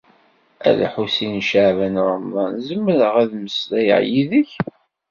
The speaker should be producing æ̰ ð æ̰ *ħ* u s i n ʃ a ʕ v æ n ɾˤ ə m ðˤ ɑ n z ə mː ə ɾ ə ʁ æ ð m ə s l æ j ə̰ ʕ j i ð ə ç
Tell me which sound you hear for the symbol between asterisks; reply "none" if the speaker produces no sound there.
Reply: ħ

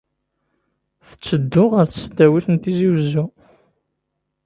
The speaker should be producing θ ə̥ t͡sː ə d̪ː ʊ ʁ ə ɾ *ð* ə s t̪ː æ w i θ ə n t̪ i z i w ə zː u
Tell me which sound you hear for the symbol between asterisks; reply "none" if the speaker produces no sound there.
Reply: θ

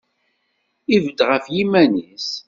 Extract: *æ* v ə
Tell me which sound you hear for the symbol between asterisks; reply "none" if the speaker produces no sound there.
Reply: i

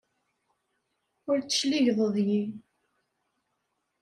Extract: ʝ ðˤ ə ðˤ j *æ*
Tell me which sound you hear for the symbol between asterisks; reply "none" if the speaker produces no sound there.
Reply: i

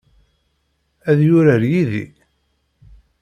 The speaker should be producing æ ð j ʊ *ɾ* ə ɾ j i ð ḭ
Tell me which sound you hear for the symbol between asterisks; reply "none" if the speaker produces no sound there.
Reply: ɾ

